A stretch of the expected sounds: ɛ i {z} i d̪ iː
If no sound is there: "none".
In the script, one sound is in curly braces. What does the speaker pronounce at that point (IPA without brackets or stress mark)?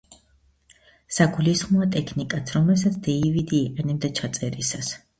v